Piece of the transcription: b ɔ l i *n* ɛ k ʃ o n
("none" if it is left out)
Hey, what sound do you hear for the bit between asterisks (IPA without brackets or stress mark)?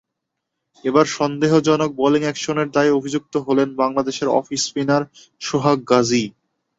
ŋ